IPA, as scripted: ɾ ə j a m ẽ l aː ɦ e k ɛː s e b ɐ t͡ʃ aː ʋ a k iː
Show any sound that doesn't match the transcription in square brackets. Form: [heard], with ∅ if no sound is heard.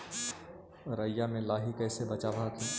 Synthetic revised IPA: ɾ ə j a m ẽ l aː ɦ [i] k ɛː s e b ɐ t͡ʃ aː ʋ a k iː